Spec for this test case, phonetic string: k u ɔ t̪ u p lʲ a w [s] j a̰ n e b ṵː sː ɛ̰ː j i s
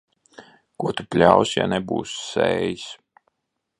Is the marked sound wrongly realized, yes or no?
no